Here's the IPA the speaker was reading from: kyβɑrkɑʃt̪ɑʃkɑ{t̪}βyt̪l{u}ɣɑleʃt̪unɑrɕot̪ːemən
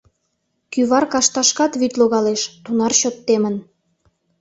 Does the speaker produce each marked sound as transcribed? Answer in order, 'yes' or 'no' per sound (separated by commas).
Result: yes, no